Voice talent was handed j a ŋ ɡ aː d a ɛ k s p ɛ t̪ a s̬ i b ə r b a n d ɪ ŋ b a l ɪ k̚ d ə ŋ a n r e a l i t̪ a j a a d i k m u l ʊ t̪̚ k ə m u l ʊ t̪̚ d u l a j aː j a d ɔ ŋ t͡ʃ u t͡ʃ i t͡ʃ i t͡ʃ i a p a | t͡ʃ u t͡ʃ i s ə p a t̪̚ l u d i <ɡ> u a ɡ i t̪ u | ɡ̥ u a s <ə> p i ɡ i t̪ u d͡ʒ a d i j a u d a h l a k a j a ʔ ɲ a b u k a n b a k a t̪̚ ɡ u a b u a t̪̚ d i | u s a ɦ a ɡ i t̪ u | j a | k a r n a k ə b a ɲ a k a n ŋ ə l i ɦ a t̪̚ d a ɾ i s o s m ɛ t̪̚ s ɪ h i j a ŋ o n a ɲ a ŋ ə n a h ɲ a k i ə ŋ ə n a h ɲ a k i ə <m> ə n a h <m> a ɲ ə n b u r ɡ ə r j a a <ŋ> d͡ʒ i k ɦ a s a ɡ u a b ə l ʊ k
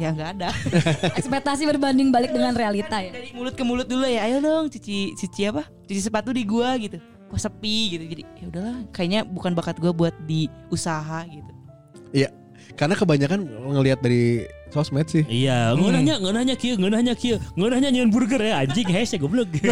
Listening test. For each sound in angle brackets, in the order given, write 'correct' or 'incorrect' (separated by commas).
correct, correct, incorrect, incorrect, incorrect